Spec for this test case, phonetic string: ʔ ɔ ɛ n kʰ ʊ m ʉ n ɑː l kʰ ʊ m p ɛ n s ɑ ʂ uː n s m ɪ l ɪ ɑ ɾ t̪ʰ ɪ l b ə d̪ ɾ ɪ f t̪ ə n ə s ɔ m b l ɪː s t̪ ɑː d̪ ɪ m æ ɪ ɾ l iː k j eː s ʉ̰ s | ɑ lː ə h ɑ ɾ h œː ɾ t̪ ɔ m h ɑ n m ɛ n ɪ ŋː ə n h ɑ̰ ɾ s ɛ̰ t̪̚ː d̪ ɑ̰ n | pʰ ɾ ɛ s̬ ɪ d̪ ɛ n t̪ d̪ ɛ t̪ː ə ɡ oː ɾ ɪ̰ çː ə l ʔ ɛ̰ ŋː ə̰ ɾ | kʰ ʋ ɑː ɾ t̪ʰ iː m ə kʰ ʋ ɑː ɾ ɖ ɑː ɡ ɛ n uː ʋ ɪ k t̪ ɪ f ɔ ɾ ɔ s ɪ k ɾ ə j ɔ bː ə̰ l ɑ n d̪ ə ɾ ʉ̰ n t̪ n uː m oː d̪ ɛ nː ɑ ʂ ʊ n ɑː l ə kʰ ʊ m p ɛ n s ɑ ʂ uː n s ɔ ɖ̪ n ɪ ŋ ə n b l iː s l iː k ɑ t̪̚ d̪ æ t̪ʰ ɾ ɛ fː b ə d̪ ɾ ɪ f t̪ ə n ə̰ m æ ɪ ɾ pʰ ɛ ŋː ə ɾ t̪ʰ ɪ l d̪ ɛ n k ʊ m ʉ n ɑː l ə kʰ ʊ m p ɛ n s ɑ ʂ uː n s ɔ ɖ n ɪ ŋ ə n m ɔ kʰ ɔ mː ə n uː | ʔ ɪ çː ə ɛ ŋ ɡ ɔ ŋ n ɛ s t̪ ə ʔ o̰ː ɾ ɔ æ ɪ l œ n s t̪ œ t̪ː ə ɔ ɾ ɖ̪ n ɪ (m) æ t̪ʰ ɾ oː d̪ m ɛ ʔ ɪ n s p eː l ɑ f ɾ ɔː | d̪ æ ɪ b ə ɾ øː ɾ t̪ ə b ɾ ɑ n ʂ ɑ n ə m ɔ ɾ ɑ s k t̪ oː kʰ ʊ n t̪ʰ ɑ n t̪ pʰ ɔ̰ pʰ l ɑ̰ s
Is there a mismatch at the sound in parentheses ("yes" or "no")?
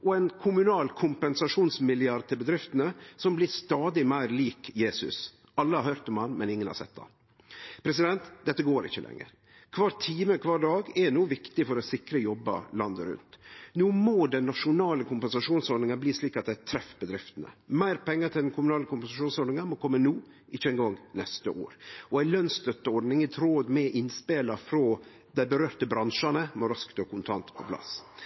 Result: yes